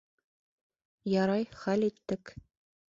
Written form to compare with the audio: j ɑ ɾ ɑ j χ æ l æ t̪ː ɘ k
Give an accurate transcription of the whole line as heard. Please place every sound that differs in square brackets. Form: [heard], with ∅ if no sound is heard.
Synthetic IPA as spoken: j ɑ ɾ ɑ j χ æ l [i] t̪ː ɘ k